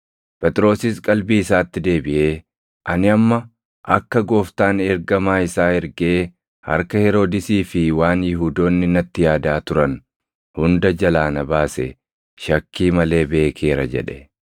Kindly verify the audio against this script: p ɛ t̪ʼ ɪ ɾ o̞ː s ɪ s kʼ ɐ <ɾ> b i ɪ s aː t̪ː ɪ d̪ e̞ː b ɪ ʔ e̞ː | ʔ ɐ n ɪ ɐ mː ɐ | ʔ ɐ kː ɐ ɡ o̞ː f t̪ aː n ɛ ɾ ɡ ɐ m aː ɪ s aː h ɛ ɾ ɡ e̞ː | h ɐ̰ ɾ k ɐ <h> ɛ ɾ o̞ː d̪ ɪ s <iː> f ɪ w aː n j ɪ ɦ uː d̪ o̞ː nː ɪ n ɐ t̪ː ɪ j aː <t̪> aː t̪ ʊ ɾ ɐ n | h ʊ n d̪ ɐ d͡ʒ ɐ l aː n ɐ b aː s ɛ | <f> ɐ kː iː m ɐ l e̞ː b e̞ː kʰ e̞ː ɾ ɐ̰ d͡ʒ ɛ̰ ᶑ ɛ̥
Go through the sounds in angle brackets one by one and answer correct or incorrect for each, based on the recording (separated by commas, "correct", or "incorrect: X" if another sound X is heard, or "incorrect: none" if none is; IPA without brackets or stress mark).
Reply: incorrect: l, correct, correct, incorrect: d̪, incorrect: ʃ